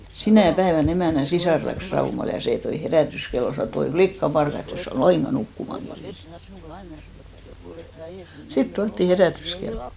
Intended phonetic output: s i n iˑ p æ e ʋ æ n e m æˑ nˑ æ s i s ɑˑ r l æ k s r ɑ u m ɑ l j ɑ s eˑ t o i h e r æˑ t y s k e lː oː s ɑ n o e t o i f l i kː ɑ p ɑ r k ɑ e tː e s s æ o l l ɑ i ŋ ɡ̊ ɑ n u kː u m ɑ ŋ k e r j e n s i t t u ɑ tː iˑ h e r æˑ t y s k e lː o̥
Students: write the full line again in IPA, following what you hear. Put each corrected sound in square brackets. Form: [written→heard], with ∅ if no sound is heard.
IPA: s i n [iˑ→æˑ] p æ e ʋ æ n e m æˑ nˑ æ s i s ɑˑ r l æ k s r ɑ u m ɑ l j ɑ s eˑ t o i h e r æˑ t y s k e lː [oː→o] s ɑ n o e t o i f l i kː ɑ p ɑ r k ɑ e tː e s s æ o l l ɑ i ŋ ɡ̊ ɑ n u kː u m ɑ ŋ k e r j e n s i t t u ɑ tː iˑ h e r æˑ t y s k e lː o̥